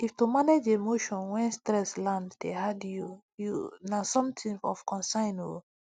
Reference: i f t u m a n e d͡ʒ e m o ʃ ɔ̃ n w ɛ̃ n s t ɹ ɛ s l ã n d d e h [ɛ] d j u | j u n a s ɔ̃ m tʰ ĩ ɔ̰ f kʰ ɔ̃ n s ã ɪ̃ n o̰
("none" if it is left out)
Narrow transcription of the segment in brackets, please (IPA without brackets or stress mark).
a